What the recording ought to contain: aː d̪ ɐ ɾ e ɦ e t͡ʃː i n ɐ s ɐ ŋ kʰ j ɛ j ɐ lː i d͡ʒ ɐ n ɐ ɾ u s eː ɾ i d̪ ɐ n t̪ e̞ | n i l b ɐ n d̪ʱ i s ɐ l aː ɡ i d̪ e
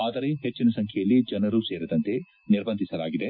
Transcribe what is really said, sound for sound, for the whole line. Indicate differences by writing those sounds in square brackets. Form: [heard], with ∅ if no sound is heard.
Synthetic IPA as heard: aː d̪ ɐ ɾ e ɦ e t͡ʃː i n ɐ s ɐ ŋ kʰ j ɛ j ɐ lː i d͡ʒ ɐ n ɐ ɾ u s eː ɾ i d̪ ɐ n t̪ e̞ | n i [ɾ] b ɐ n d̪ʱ i s ɐ l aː ɡ i d̪ e